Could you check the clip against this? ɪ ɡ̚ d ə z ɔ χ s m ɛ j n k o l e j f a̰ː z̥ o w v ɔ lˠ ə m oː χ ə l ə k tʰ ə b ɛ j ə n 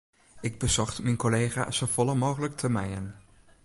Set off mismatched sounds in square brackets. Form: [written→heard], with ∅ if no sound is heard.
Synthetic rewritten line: ɪ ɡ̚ [d→b] ə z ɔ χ [s→t] m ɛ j n k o l e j [f→χ] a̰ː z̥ o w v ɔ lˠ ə m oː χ ə l ə k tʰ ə [b→m] ɛ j ə n